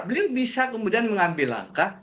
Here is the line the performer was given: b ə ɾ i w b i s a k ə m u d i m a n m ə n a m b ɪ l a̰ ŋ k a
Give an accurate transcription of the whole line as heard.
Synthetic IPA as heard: b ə l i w b i s a k ə m u d i a n m ə ŋ a m b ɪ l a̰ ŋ k a